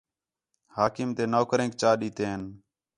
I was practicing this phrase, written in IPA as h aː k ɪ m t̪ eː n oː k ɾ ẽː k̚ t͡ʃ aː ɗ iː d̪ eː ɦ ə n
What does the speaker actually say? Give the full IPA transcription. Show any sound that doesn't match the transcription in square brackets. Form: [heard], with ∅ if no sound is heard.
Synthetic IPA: h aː k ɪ m t̪ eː n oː k ɾ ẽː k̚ t͡ʃ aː ɗ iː [t̪] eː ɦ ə n